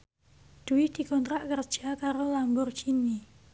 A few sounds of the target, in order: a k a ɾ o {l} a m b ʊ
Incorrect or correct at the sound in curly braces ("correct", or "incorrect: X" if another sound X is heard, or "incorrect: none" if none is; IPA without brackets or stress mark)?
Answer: correct